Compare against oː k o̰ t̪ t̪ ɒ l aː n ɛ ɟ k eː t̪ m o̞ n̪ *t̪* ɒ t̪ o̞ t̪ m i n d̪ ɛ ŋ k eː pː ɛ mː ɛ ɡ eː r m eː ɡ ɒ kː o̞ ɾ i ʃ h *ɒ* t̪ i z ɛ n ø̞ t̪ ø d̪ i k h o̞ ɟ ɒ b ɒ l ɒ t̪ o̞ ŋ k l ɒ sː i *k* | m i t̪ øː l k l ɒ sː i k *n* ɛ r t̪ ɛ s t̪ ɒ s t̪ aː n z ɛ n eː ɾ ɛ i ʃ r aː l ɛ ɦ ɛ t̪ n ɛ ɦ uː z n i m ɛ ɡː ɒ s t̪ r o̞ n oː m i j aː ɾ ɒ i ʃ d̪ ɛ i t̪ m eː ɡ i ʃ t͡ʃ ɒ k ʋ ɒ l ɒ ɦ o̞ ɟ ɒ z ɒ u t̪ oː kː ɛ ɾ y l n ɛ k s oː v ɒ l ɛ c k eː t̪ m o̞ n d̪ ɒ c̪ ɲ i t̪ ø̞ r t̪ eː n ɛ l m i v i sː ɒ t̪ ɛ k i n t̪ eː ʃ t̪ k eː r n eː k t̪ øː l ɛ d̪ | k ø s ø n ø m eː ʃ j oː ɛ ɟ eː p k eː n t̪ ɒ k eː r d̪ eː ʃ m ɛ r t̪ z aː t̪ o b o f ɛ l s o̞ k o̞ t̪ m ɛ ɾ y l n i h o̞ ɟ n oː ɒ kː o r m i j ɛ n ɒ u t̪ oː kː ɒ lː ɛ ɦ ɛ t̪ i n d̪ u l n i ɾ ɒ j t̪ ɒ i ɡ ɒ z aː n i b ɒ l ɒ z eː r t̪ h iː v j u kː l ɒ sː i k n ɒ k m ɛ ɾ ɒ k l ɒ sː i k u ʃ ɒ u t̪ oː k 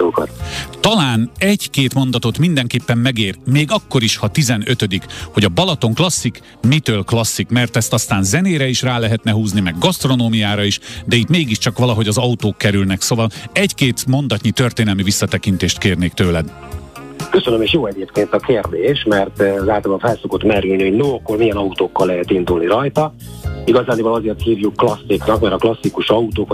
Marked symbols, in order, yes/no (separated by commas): no, yes, yes, no